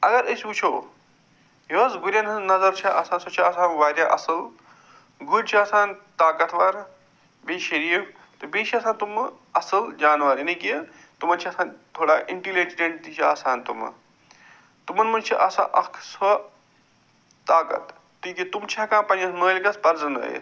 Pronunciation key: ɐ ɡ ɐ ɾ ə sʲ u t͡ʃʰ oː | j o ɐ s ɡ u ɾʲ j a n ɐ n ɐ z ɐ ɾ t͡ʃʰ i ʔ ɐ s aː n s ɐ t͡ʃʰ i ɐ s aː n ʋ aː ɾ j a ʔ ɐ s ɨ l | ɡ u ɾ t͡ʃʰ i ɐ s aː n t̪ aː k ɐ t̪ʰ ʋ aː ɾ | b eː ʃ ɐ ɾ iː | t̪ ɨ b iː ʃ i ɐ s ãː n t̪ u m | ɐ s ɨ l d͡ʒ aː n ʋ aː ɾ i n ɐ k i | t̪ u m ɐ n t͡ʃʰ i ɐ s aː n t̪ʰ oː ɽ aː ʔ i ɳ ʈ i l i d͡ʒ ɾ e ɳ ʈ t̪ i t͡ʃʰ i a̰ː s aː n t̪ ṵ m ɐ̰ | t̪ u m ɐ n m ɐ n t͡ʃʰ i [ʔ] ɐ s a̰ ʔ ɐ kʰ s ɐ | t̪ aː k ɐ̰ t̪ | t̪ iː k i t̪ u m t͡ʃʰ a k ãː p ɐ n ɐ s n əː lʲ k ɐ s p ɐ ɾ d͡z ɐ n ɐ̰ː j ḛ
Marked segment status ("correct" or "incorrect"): correct